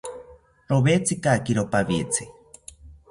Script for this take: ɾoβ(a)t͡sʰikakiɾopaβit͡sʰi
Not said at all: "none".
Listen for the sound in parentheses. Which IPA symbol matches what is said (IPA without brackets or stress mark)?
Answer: e